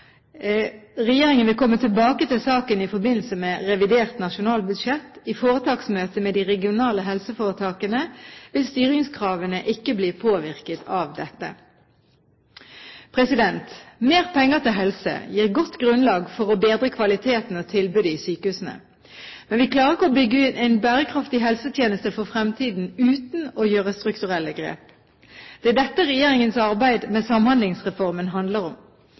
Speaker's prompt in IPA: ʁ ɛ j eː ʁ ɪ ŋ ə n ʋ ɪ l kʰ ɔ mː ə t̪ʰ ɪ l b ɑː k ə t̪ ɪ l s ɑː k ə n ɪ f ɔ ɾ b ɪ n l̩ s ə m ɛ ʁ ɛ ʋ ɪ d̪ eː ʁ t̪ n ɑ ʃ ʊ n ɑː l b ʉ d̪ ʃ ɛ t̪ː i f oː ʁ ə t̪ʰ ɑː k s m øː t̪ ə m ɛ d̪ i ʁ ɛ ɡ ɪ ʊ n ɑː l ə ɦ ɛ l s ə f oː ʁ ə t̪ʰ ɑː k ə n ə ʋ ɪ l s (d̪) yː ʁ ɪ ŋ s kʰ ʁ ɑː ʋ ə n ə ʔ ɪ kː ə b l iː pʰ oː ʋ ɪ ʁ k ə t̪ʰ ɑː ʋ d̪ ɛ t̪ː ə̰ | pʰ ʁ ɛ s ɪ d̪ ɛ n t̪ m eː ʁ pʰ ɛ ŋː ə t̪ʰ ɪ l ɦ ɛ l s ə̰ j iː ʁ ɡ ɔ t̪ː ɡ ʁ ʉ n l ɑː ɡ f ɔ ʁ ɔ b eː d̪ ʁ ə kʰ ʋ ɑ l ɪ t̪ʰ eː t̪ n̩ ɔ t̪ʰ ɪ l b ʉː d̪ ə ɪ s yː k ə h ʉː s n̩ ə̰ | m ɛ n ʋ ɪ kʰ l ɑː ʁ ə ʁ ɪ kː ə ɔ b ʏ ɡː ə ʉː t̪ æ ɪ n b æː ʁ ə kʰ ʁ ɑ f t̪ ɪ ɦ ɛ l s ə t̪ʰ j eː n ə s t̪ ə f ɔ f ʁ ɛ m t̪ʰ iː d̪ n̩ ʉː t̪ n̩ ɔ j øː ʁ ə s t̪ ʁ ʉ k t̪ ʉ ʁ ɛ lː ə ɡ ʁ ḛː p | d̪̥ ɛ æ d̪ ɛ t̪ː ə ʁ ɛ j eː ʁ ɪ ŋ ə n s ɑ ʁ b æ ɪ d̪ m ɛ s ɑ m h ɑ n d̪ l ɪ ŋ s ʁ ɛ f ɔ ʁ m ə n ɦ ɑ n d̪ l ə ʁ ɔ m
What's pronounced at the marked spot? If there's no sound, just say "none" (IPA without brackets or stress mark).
t̪